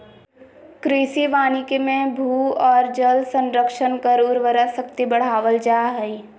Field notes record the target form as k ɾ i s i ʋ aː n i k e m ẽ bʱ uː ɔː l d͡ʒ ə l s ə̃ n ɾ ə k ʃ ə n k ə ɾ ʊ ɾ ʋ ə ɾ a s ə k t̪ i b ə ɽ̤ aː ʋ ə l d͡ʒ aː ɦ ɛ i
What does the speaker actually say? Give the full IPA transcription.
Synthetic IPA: k ɾ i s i ʋ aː n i k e m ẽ bʱ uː ɔː ɾ d͡ʒ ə l s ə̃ n ɾ ə k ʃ ə n k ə ɾ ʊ ɾ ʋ ə ɾ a s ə k t̪ i b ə ɽ̤ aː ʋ ə l d͡ʒ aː ɦ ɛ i